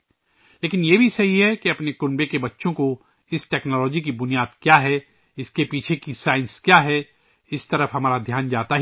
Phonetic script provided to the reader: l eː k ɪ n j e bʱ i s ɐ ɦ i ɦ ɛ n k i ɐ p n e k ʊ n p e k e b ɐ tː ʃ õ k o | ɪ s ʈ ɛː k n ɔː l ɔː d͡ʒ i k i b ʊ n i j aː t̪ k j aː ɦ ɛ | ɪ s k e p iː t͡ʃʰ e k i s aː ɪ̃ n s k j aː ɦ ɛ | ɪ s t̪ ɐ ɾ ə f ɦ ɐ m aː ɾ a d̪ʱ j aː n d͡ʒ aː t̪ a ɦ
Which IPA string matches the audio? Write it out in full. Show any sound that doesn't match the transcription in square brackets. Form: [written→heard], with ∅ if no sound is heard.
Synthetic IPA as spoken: l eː k ɪ n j e bʱ i s ɐ ɦ i ɦ ɛ [n→∅] k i ɐ p n e k ʊ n [p→b] e k e b ɐ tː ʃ õ k o | ɪ s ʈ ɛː k n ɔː l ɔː d͡ʒ i k i b ʊ n i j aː [t̪→d̪] k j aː ɦ ɛ | ɪ s k e p iː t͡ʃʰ e k i s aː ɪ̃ n s k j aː ɦ ɛ | ɪ s t̪ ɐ ɾ ə f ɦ ɐ m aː ɾ a d̪ʱ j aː n d͡ʒ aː t̪ a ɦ